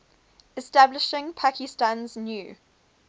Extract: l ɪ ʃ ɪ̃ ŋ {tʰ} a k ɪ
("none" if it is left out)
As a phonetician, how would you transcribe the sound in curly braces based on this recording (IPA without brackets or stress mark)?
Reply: pʰ